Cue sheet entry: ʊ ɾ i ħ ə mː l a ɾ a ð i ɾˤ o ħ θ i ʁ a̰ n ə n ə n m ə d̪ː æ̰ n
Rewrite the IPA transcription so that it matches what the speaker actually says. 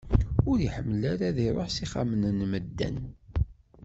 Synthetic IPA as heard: ʊ ɾ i ħ ə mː l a ɾ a ð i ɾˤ o ħ s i χ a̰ m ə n ə n m ə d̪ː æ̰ n